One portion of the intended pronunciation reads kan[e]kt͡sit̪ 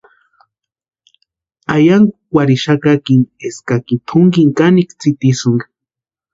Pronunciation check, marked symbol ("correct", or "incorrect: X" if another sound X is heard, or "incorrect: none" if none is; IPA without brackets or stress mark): incorrect: i